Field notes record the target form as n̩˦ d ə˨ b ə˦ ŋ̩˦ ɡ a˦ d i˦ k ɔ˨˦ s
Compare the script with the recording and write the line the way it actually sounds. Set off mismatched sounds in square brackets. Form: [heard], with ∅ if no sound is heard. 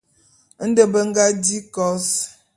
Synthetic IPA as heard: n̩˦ d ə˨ b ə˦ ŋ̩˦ ɡ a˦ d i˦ k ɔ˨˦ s